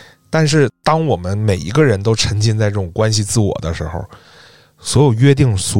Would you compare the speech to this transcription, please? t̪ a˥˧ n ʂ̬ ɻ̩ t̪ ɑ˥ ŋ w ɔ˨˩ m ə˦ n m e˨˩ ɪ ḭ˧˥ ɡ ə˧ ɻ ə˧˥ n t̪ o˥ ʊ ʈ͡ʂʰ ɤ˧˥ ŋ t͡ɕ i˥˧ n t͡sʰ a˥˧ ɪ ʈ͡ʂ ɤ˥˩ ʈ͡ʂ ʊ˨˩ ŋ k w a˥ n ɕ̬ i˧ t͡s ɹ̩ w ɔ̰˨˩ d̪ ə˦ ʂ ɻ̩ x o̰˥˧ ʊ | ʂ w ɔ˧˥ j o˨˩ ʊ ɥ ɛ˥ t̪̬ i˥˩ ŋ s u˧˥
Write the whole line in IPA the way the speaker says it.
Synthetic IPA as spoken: t̪ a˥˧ n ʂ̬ ɻ̩ t̪ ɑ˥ ŋ w ɔ˨˩ m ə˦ n m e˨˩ ɪ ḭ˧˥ ɡ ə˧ ɻ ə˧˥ n t̪ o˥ ʊ ʈ͡ʂʰ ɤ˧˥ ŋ t͡ɕ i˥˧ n t͡s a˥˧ ɪ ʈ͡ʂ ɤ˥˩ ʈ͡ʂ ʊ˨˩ ŋ k w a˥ n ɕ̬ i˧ t͡s ɹ̩ w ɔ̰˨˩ d̪ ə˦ ʂ ɻ̩ x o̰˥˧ ʊ | s w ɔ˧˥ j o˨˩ ʊ ɥ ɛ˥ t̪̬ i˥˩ ŋ s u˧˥